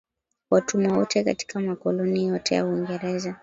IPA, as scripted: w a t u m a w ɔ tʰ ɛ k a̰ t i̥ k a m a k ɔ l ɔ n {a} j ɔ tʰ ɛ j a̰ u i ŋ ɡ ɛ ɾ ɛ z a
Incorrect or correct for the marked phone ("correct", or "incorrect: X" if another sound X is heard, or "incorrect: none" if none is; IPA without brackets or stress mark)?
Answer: incorrect: i